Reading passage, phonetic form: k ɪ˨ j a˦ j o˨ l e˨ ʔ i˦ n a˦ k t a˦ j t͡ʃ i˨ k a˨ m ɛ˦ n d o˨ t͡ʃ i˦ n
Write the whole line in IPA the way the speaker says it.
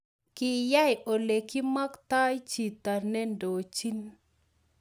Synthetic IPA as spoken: k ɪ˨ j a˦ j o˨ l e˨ k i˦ m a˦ k t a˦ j t͡ʃ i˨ t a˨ n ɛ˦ n d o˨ t͡ʃ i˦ n